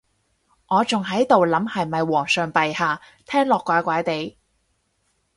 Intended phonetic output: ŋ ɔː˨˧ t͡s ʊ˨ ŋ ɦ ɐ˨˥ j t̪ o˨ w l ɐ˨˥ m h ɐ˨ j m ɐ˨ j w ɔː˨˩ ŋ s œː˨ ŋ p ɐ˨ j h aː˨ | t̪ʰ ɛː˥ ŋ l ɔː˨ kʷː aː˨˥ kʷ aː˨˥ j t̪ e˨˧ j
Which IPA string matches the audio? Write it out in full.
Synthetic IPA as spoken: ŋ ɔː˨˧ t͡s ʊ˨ ŋ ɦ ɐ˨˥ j t̪ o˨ w l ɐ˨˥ m h ɐ˨ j m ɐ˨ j w ɔː˨˩ ŋ s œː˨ ŋ p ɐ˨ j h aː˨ | t̪ʰ ɛː˥ ŋ l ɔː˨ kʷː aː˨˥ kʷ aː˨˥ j t̪ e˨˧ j